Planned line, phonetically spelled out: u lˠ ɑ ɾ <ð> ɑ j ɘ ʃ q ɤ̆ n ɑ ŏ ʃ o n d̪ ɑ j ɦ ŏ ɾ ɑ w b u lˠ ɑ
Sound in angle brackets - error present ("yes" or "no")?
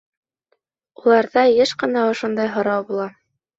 no